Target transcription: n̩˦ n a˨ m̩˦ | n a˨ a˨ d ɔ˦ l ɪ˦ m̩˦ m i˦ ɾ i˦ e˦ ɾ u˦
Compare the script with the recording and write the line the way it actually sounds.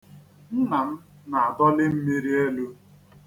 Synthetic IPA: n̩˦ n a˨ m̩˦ | n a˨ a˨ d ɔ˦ l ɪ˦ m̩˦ m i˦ ɾ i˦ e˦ l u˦